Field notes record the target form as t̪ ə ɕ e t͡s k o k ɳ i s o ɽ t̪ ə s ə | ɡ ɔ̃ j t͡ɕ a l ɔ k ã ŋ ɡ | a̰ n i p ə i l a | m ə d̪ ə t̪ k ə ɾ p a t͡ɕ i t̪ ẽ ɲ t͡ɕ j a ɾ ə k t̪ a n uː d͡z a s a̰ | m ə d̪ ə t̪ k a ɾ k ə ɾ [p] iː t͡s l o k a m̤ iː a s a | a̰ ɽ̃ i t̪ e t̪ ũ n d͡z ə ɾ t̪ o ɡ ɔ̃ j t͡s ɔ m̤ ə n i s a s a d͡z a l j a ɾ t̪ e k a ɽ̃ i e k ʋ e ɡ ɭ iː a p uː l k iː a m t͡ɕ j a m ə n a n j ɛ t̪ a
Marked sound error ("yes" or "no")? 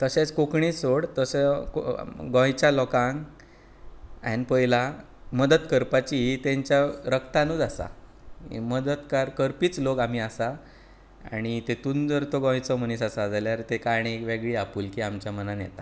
no